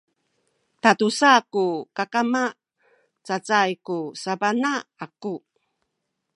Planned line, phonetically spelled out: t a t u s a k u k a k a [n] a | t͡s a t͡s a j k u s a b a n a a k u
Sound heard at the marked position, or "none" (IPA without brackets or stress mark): m